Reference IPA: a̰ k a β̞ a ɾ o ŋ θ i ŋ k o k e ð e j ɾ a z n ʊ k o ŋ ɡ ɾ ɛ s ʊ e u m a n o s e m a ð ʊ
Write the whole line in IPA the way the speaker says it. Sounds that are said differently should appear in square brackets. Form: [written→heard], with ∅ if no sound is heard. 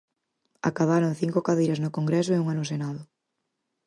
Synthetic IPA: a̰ k a β̞ a ɾ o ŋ θ i ŋ k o k [e→a] ð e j ɾ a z n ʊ k o ŋ ɡ ɾ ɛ s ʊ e u [m→ŋ] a n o s e [m→n] a ð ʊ

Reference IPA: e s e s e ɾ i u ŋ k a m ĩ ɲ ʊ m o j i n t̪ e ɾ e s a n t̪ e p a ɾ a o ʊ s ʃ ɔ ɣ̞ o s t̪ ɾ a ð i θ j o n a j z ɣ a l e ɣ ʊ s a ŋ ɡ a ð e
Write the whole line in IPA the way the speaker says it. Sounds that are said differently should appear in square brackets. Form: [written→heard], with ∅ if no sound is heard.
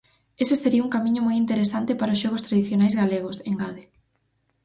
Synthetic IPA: e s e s e ɾ i u ŋ k a m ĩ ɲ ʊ m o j i n t̪ e ɾ e s a n t̪ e p a ɾ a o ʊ s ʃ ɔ ɣ̞ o s t̪ ɾ a ð i θ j o n a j z ɣ a l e ɣ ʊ s [a→e] ŋ ɡ a ð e

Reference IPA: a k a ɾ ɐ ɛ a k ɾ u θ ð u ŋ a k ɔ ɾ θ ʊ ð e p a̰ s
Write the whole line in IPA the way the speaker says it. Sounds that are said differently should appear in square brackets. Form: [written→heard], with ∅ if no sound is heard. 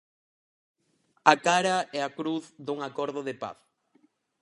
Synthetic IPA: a k a ɾ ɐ ɛ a k ɾ u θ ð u ŋ a k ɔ ɾ [θ→ð] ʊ ð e p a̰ [s→θ]

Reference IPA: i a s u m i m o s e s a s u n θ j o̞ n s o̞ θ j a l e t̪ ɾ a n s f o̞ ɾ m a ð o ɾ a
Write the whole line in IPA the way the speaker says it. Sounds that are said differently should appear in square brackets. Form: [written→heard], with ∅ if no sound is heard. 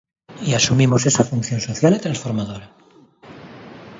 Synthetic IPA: i a s u m i m o s e s a [s→f] u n θ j o̞ n s o̞ θ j a l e t̪ ɾ a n s f o̞ ɾ m a ð o ɾ a

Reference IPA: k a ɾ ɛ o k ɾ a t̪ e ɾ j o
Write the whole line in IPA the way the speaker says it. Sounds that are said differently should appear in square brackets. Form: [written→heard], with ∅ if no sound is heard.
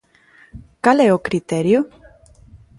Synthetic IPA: k a [ɾ→l] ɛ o k ɾ [a→i] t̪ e ɾ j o

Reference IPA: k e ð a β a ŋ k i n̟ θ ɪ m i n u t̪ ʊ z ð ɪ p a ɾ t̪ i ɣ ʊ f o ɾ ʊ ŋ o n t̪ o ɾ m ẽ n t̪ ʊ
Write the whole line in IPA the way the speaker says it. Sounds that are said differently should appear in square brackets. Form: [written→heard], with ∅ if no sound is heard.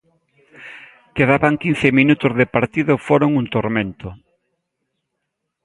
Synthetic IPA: k e ð a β a ŋ k i n̟ θ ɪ m i n u t̪ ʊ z ð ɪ p a ɾ t̪ i [ɣ→ð] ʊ f o ɾ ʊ ŋ [o→u] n t̪ o ɾ m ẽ n t̪ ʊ

